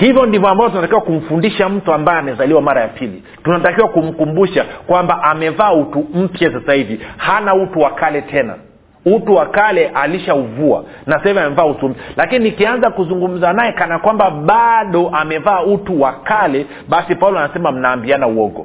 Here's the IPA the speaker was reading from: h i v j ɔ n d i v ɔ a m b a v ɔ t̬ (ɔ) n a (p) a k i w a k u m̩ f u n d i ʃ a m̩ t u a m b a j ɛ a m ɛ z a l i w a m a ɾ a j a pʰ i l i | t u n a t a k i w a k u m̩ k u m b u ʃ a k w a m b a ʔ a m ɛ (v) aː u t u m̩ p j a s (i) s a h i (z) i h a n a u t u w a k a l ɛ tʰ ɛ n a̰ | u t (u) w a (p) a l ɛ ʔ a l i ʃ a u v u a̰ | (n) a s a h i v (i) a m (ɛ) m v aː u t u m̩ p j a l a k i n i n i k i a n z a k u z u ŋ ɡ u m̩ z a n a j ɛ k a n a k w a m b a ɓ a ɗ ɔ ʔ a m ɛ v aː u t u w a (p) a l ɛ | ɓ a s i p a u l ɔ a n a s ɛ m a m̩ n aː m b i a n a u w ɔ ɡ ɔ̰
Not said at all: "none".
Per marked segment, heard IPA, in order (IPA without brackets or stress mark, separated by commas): u, t, v, a, v, u, k, n, i, ɛ, k